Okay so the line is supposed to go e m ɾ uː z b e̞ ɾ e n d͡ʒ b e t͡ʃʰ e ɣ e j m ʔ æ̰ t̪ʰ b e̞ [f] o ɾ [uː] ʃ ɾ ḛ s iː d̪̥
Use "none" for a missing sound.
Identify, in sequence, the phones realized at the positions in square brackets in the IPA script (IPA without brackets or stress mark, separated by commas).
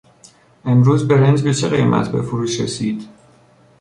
f, uː